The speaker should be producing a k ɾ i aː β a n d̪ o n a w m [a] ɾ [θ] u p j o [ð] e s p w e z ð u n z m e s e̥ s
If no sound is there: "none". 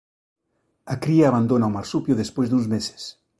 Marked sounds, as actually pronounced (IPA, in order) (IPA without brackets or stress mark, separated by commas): a, s, ð